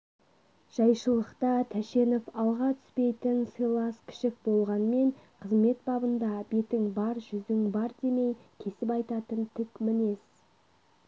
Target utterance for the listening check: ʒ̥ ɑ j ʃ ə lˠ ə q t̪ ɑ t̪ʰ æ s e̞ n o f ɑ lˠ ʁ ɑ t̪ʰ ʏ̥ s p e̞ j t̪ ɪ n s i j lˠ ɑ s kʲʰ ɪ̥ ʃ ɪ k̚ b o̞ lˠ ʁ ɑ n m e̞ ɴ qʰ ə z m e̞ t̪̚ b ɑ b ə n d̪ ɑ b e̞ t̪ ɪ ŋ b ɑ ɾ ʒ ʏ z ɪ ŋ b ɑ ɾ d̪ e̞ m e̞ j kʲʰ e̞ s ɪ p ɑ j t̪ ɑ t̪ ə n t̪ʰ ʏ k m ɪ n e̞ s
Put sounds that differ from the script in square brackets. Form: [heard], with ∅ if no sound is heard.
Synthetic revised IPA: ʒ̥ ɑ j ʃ ə lˠ ə q t̪ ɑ t̪ʰ æ [ʃ] e̞ n o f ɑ lˠ ʁ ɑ t̪ʰ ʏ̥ s p e̞ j t̪ ɪ n s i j lˠ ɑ s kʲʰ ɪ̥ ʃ ɪ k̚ b o̞ lˠ ʁ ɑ n m e̞ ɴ qʰ ə z m e̞ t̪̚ b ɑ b ə n d̪ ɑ b e̞ t̪ ɪ ŋ b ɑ ɾ ʒ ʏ z ɪ ŋ b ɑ ɾ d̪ e̞ m e̞ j kʲʰ e̞ s ɪ p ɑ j t̪ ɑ t̪ ə n t̪ʰ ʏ k m ɪ n e̞ s